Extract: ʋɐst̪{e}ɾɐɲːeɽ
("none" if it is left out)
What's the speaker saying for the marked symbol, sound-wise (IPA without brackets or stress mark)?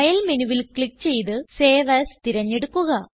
i